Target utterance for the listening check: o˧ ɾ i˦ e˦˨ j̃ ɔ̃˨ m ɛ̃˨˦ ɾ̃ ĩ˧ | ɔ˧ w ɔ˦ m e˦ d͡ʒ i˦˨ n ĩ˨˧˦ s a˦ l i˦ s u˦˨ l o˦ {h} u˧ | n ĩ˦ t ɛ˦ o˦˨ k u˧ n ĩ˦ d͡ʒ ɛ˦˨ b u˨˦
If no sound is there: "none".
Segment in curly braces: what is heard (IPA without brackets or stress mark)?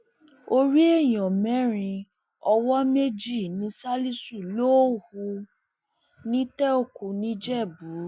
h